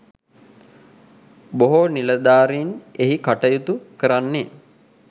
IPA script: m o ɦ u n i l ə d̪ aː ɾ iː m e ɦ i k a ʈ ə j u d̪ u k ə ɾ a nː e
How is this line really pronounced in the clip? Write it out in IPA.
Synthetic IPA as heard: b o ɦ o n i l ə d̪ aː ɾ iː n e ɦ i k a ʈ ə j u t̪ u k ə ɾ a nː e